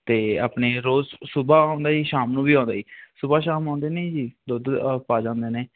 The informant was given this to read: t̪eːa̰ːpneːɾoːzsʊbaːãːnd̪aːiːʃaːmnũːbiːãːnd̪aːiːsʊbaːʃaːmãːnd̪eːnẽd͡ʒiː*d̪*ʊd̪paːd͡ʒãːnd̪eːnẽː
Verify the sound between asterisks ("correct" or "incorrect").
correct